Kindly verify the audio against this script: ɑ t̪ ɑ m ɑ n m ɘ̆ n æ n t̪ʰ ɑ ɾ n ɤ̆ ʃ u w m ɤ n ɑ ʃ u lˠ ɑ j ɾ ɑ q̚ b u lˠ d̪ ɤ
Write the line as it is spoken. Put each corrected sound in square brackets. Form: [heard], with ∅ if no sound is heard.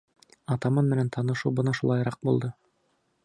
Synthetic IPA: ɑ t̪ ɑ m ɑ n m ɘ̆ n æ n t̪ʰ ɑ [∅] n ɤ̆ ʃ u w [b] ɤ n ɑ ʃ u lˠ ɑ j ɾ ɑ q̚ b u lˠ d̪ ɤ